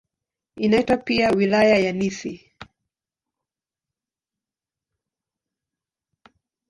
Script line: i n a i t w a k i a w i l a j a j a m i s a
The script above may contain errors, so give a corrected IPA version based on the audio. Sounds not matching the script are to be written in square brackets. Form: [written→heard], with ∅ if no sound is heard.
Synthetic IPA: i n a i t w a [k→p] i a w i l a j a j a [m→n] i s [a→i]

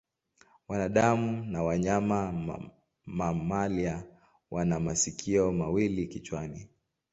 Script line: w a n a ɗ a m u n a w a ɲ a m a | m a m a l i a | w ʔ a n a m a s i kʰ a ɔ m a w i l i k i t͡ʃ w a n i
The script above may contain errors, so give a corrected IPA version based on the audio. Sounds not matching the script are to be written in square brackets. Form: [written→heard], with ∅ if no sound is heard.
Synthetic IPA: w a n a ɗ a m u n a w a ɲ a m a | m a m a l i a | w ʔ a n a m a s i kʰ [a→i] ɔ m a w i l i k i t͡ʃ w a n i

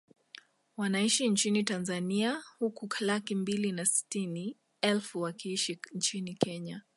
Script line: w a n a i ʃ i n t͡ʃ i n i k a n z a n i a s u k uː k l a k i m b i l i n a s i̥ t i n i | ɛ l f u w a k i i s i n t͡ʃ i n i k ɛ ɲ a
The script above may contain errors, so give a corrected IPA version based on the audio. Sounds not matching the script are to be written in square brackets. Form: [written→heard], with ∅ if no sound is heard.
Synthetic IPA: w a n a i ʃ i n t͡ʃ i n i [k→t] a n z a n i a [s→h] u k [uː→u] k l a k i m b i l i n a s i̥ t i n i | ɛ l f u w a k i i [s→ʃ] i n t͡ʃ i n i k ɛ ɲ a

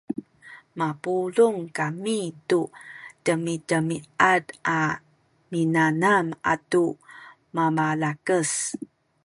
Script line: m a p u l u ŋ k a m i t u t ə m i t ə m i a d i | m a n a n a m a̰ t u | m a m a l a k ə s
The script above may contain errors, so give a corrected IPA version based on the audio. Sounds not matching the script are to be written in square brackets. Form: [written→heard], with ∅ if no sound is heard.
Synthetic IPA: m a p u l u ŋ k a m i t u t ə m i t ə m i a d [i→a] | m [a→i] n a n a m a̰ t u | m a m a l a k ə s

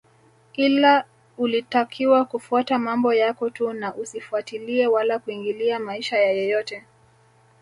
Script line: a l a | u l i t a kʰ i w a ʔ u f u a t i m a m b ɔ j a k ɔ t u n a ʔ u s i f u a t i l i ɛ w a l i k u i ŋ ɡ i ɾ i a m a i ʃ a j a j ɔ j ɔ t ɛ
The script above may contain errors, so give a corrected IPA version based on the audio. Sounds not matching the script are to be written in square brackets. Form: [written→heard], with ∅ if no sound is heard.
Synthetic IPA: [a→i] l a | u l i t a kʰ i w a [ʔ→k] u f u a t [i→a] m a m b ɔ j a k ɔ t u n a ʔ u s i f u a t i l i ɛ w a l [i→a] k u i ŋ ɡ i [ɾ→l] i a m a i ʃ a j a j ɔ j ɔ t ɛ

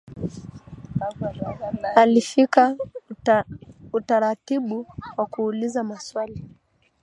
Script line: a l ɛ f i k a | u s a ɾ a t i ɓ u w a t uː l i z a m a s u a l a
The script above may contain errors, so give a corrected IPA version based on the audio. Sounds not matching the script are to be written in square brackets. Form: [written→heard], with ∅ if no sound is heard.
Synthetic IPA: a l [ɛ→i] f i k a | u [s→t] a ɾ a t i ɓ u w a [t→k] uː l i z a m a s [u→w] a l [a→i]

